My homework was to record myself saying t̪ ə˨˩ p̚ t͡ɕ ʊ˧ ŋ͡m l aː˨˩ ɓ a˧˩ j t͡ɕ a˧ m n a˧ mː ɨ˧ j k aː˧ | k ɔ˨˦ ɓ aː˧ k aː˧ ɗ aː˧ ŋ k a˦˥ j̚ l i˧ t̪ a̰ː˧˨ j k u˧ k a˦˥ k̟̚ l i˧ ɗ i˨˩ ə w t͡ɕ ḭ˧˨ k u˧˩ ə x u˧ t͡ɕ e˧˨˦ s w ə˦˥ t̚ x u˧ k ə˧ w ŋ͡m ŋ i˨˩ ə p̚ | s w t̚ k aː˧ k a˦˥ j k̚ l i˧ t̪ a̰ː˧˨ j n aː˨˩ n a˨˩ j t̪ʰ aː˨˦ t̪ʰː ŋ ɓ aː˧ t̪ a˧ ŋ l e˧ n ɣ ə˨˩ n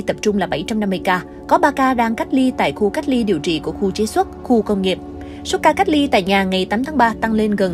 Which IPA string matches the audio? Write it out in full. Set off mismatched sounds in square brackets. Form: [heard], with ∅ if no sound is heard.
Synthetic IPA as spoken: t̪ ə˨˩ p̚ t͡ɕ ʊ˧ ŋ͡m l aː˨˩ ɓ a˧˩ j t͡ɕ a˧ m n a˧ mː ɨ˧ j k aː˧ | k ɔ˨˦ ɓ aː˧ k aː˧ ɗ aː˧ ŋ k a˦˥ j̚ l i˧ t̪ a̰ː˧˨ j [x] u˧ k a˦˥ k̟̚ l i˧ ɗ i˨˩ ə w t͡ɕ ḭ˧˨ k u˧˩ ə x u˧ t͡ɕ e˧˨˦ s w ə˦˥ t̚ x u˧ k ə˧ w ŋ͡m ŋ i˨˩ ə p̚ | s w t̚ k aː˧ k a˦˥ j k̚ l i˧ t̪ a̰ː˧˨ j [ɲ] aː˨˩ [ŋ] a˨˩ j [t̪] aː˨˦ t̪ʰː ŋ ɓ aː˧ t̪ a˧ ŋ l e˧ n ɣ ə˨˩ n